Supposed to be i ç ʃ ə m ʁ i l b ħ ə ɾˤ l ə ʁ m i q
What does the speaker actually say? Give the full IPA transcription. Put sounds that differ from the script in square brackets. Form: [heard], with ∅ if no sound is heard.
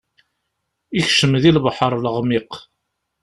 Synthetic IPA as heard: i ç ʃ ə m [ð] i l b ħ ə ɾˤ l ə ʁ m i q